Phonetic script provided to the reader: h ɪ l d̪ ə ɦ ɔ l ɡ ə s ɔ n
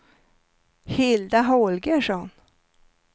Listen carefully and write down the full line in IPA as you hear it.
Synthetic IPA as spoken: h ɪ l d̪ a ɦ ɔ l ɡ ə ʂ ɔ n

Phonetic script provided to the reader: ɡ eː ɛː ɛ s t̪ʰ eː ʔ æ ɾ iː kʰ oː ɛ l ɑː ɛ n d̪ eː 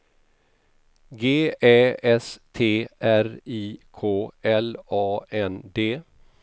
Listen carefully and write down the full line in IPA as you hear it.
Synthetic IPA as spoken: ɡ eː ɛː ɛ s t̪ʰ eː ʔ æ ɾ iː kʰ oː ɛ l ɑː ɛ n d̪ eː

